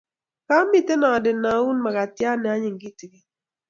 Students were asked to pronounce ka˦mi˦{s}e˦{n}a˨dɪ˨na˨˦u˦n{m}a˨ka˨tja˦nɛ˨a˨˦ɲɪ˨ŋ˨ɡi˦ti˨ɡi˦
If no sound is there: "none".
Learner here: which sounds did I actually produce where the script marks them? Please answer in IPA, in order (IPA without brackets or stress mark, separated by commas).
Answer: t, n, m